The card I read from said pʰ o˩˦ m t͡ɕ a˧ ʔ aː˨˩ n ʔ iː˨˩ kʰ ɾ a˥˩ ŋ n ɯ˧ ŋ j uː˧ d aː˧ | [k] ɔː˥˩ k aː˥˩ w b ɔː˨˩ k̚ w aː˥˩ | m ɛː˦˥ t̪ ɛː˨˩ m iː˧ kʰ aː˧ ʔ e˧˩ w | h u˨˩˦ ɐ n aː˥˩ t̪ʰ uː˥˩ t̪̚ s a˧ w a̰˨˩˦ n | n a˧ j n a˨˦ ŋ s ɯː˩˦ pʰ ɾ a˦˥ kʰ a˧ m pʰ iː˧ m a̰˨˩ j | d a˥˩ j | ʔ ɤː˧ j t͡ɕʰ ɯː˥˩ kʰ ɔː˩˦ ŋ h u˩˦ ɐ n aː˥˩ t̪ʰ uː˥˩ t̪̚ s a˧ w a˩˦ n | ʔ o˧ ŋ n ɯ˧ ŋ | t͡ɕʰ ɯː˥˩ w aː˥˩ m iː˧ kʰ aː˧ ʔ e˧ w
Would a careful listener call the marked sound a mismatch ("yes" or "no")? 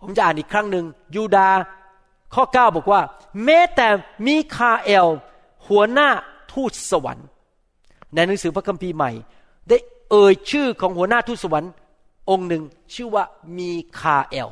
yes